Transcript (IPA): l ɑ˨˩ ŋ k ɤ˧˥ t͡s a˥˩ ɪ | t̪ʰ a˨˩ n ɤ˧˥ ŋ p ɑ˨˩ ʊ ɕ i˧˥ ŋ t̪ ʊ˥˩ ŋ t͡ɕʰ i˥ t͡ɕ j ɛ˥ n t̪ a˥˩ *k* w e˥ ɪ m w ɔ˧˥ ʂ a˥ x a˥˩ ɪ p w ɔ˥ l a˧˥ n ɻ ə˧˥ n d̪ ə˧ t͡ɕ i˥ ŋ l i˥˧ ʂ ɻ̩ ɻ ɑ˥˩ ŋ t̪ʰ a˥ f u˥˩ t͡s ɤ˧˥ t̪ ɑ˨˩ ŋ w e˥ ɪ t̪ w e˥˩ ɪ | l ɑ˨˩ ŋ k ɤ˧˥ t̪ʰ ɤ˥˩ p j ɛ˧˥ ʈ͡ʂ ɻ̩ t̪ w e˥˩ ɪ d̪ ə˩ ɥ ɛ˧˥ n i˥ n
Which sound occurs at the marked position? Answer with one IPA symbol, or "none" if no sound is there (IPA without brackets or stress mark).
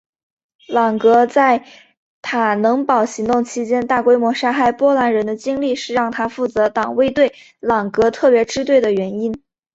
k